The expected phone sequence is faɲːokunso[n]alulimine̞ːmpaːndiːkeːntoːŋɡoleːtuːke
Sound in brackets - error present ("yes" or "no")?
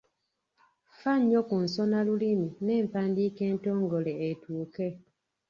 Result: no